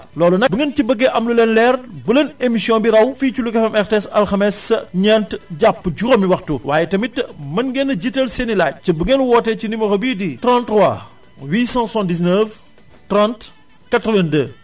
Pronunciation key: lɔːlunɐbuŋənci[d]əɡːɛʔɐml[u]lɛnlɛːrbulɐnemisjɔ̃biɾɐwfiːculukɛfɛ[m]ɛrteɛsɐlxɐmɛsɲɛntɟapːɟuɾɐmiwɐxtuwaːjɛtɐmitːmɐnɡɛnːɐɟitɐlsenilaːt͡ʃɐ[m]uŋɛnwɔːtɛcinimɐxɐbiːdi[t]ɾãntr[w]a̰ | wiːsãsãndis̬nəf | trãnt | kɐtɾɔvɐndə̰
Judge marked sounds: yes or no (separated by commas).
no, yes, yes, no, yes, yes